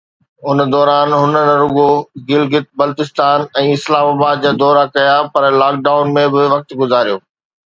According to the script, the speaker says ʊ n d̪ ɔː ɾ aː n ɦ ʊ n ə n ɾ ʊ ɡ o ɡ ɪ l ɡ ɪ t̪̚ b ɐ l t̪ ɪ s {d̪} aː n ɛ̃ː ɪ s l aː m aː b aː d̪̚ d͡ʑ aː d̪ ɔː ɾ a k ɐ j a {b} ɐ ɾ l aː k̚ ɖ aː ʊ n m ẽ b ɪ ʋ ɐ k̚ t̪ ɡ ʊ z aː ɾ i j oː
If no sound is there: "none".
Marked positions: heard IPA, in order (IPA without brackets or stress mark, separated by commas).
t̪, p